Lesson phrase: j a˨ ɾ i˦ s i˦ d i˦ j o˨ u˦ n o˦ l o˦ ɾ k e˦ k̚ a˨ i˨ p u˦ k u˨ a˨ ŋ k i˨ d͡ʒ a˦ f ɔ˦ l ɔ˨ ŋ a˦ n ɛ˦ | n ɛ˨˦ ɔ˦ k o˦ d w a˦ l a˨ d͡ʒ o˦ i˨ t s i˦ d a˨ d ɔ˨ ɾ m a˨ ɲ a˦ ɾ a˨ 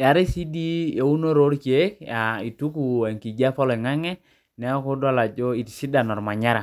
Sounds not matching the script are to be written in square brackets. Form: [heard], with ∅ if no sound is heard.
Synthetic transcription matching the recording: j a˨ ɾ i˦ s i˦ d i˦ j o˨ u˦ n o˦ [ɾ] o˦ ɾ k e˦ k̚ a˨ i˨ [t] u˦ k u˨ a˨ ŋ k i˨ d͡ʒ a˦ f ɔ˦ l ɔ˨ ŋ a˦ [ŋ] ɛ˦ | n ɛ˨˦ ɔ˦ k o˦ d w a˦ l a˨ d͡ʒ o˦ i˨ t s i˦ d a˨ [n] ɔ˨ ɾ m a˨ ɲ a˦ ɾ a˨

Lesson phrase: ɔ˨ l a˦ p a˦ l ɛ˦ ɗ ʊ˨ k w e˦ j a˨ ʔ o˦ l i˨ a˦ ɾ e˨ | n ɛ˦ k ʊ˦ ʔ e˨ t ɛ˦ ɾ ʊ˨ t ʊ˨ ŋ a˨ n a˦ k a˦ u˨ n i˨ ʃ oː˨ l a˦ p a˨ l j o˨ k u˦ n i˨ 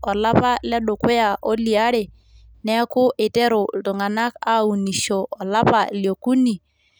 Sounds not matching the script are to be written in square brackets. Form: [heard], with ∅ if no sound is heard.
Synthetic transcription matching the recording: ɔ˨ l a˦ p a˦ l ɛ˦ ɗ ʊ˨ k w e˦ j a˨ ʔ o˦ l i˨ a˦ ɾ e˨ | n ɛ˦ k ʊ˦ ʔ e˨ t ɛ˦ ɾ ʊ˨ t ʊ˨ ŋ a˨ n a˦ k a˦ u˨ n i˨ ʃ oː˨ l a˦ p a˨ l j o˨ k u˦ n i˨

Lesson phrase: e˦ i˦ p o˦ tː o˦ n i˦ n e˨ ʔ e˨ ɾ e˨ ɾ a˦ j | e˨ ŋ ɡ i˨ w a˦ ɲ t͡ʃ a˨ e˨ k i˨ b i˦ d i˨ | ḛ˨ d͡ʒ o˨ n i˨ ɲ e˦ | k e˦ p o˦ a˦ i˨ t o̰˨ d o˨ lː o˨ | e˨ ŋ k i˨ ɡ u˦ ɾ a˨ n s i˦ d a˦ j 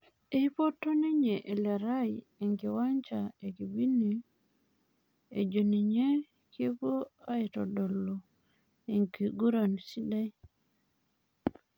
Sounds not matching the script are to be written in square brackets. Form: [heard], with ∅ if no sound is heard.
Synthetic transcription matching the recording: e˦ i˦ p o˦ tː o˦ n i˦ [ɲ] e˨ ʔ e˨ [l] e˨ ɾ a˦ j | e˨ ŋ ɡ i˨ w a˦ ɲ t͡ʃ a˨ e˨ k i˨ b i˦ [n] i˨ | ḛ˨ d͡ʒ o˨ n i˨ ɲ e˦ | k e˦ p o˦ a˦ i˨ t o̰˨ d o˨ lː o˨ | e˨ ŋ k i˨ ɡ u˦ ɾ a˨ n s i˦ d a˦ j

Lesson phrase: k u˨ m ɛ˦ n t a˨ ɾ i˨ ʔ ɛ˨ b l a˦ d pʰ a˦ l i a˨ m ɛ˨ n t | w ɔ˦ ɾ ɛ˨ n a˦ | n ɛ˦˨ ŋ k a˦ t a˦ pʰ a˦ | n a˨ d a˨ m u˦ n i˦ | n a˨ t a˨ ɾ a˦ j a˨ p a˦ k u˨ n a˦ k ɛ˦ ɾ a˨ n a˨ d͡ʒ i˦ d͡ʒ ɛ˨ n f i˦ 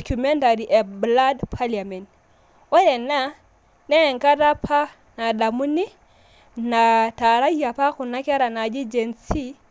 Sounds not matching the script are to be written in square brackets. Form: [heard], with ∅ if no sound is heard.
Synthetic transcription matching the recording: k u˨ m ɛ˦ n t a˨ ɾ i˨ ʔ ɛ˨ b l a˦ d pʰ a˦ l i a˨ m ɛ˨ n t | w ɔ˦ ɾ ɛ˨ n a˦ | n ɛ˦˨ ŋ k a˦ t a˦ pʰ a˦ | n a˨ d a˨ m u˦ n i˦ | n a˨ t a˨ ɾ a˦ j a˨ p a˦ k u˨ n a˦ k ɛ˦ ɾ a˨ n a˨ d͡ʒ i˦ d͡ʒ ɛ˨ n [s] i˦

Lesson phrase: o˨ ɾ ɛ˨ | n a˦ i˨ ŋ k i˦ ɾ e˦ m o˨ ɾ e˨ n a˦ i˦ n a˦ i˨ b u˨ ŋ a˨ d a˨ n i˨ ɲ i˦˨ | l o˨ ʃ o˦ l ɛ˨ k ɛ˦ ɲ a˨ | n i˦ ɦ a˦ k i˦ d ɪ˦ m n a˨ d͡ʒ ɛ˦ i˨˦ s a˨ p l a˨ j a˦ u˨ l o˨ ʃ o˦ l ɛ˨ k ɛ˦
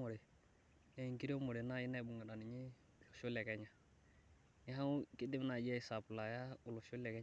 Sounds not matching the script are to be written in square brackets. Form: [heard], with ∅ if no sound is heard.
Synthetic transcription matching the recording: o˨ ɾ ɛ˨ | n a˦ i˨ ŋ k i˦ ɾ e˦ m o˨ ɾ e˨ n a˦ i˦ n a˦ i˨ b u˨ ŋ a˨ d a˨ n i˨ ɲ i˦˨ | l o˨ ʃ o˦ l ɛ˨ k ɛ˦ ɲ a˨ | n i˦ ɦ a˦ k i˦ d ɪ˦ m n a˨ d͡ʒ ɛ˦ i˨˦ s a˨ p l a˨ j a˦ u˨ l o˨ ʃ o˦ l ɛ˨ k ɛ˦

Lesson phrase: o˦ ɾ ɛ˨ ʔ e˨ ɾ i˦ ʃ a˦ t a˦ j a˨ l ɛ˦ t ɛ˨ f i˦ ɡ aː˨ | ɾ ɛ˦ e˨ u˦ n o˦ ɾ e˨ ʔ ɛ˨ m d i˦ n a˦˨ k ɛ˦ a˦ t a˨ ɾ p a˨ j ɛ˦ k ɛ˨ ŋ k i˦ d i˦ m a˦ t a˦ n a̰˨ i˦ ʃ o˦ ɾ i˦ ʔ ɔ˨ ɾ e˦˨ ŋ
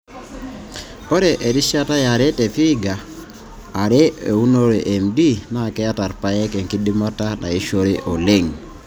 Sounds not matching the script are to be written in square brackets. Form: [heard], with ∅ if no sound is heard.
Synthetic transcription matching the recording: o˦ ɾ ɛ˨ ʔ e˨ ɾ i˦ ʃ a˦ t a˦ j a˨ [ɾ] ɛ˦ t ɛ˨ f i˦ ɡ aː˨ | ɾ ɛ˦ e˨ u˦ n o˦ ɾ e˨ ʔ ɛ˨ m d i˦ n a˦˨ k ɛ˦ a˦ t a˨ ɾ p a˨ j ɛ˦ k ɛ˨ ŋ k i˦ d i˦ m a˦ t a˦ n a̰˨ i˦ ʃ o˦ ɾ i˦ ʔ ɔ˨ [l] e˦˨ ŋ

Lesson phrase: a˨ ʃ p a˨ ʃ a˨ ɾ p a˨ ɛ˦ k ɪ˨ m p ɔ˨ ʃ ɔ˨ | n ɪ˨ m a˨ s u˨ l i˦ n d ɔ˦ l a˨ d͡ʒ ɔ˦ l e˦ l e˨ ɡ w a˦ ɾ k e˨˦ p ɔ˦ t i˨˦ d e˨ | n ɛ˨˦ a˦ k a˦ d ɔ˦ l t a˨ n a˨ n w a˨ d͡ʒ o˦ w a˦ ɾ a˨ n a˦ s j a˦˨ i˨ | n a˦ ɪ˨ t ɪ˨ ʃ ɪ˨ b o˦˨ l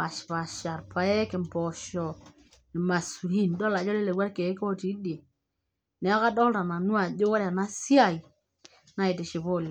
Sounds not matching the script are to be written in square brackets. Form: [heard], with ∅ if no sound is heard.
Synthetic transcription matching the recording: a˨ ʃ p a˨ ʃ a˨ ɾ p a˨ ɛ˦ k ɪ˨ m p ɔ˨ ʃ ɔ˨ | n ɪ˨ m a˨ s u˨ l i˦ n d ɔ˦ l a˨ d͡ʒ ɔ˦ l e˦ l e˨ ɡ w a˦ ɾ k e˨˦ [k] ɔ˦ t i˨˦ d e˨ | n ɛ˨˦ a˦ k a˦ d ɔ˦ l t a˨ n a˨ n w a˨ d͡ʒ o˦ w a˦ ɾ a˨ n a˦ s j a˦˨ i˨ | n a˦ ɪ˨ t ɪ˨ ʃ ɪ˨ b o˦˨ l

